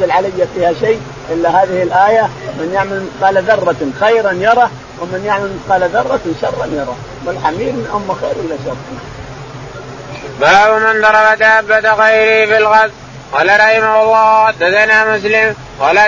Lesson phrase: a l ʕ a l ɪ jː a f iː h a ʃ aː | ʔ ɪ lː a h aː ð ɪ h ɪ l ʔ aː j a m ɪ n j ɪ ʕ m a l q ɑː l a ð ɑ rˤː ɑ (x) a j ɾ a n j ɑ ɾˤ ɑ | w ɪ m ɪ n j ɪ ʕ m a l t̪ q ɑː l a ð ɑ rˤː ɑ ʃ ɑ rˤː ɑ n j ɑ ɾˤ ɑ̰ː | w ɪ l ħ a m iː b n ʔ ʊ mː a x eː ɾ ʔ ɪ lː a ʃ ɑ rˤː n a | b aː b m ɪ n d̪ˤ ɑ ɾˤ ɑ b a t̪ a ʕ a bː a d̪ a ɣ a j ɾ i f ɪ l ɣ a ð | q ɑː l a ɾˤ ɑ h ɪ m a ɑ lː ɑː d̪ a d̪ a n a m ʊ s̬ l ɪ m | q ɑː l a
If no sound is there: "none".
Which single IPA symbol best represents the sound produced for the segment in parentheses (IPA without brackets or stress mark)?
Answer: x